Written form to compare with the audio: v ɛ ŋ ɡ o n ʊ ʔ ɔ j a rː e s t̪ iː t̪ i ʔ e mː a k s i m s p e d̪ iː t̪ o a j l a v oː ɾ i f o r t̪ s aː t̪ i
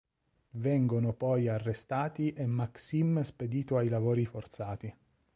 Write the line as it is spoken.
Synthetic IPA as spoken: v ɛ ŋ ɡ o n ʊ p ɔ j a rː e s t̪ aː t̪ i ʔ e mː a k s i m s p e d̪ iː t̪ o a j l a v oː ɾ i f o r t̪ s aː t̪ i